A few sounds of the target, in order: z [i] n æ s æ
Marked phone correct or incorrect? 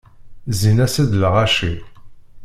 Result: correct